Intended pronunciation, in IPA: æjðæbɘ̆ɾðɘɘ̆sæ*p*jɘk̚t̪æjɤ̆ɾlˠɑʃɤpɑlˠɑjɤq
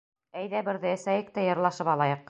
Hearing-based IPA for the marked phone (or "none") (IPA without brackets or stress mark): none